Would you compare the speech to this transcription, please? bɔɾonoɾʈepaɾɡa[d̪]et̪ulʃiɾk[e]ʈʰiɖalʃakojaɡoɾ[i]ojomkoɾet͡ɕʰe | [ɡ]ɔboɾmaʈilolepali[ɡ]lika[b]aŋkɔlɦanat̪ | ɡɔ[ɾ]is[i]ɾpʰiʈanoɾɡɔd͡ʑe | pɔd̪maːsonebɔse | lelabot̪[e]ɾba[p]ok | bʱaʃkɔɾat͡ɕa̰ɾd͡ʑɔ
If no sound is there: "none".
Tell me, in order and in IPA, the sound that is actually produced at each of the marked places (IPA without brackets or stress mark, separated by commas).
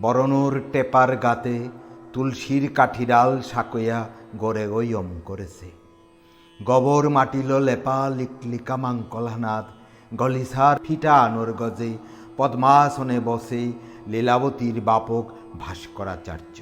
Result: t̪, a, e, ɡ, k, m, l, a, i, p